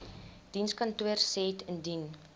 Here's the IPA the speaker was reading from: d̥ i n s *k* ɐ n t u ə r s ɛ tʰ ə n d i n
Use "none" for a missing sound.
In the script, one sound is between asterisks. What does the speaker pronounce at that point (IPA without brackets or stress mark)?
k